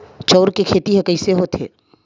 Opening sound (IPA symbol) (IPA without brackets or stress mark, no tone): t͡ʃ